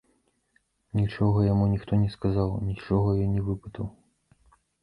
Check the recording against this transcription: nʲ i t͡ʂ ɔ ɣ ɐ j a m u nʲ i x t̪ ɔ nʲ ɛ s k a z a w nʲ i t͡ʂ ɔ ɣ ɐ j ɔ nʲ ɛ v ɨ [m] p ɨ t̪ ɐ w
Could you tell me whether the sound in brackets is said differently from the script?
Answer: yes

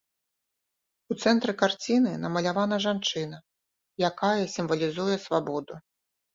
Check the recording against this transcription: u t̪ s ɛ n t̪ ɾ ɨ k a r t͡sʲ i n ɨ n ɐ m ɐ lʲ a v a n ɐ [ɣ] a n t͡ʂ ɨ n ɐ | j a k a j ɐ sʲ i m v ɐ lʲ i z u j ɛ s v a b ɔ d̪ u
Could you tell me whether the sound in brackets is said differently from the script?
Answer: yes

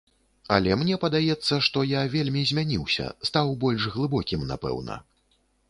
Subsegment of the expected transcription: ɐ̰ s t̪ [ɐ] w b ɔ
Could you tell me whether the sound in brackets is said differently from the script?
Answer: yes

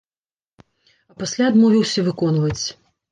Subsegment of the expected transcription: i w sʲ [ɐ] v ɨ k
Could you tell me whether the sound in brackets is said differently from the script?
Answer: no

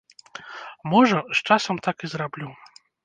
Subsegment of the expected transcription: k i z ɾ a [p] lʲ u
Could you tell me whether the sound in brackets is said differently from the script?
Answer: yes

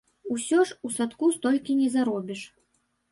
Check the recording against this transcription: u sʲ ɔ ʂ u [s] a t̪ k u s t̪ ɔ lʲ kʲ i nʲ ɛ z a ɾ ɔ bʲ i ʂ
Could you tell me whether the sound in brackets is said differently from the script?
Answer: no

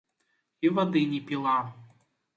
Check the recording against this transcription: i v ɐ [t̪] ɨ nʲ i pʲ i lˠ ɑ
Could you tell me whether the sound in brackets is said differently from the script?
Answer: yes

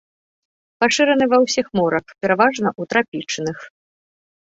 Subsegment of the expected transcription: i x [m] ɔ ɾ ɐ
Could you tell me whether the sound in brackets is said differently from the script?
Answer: no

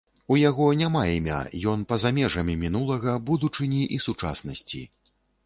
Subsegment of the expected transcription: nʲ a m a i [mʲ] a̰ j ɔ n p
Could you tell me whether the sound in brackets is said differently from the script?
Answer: no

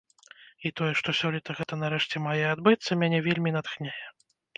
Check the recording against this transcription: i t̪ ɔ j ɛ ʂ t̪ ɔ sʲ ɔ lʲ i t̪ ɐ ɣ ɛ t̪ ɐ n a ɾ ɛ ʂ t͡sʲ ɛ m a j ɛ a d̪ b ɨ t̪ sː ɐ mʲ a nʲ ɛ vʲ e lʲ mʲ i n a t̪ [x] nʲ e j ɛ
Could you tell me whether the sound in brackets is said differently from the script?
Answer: no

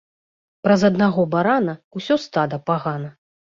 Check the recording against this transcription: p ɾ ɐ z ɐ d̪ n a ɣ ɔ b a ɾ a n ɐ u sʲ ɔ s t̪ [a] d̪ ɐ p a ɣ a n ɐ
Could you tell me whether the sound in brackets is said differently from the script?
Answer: no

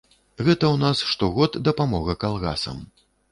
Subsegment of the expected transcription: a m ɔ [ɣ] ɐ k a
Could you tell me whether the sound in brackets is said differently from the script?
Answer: no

